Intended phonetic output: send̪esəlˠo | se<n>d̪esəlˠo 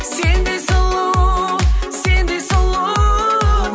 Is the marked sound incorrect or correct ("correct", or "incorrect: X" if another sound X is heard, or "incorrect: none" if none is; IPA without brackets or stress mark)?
correct